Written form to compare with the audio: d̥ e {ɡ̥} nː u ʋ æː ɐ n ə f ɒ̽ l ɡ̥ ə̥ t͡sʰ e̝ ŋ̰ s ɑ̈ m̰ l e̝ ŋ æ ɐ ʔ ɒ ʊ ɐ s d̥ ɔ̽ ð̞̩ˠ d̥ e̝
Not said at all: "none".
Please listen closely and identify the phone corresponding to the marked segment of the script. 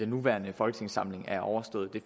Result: none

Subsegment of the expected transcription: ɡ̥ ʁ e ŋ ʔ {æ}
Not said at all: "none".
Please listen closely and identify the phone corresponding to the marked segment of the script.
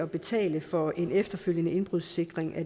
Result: æ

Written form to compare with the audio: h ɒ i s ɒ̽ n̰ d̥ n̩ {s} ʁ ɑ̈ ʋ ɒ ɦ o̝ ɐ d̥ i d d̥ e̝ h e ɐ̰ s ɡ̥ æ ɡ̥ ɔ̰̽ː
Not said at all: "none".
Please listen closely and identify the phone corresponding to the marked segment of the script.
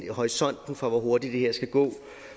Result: f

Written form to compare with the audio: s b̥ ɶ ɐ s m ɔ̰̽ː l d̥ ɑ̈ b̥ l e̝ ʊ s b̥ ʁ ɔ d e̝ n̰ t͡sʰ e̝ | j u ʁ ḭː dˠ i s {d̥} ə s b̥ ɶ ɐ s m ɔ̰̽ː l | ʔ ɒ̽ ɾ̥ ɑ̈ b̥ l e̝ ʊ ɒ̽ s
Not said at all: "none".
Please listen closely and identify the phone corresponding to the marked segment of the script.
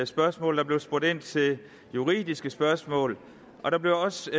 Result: ɡ̥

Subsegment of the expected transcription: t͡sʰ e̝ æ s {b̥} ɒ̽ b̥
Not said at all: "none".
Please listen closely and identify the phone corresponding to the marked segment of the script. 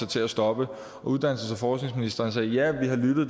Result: d̥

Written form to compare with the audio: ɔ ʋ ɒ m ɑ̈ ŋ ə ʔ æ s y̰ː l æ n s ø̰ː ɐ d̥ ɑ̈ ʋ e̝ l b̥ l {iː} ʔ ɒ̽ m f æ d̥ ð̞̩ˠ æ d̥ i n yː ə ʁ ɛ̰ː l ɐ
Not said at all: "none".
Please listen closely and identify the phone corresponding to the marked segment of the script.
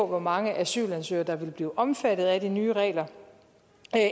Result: iː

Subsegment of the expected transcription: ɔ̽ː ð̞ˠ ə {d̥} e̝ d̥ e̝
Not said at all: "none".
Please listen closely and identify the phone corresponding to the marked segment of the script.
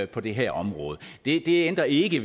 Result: d̥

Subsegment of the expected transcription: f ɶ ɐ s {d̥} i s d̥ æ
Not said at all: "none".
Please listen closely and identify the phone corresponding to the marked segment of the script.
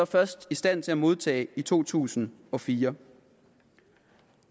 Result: d̥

